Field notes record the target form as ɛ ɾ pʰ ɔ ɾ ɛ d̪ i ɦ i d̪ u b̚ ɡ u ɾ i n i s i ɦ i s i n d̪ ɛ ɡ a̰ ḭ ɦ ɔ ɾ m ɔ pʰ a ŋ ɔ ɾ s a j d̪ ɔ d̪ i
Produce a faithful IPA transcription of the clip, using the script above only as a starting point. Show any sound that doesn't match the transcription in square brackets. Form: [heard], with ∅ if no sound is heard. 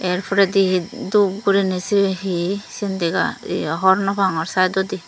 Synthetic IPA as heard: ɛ ɾ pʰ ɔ ɾ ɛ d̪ i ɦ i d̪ u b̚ ɡ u ɾ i n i s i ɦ i s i n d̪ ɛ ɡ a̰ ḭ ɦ ɔ ɾ [n] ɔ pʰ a ŋ ɔ ɾ s a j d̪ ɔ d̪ i